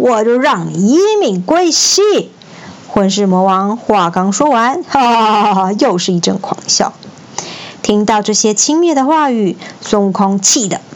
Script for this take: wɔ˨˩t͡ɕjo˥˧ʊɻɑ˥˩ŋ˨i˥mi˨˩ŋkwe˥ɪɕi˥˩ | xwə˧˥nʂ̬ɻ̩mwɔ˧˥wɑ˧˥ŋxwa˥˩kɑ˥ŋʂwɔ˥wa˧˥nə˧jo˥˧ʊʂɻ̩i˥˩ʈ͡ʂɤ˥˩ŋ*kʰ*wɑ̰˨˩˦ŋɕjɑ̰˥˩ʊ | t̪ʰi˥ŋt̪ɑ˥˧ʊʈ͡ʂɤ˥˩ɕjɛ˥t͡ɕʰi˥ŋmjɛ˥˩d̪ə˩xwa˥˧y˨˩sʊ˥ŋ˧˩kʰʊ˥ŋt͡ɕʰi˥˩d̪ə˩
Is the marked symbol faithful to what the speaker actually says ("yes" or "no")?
yes